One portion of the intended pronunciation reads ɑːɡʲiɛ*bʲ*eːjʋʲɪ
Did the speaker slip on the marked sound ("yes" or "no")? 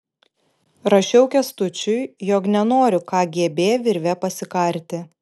no